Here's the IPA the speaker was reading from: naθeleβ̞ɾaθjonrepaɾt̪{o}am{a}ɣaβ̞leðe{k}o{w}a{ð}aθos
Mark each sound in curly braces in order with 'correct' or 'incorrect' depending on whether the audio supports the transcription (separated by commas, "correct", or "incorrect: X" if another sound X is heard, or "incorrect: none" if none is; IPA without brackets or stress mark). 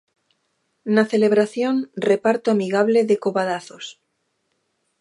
correct, incorrect: i, correct, incorrect: β, correct